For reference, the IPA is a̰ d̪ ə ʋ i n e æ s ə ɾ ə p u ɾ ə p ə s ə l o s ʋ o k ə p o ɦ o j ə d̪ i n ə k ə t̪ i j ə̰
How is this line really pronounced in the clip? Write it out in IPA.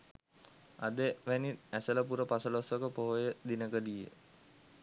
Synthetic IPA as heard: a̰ d̪ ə ʋ æ n i æ s ə l ə p u ɾ ə p a s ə l o s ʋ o k ə p o ɦ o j ə d̪ i n ə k ə d̪ i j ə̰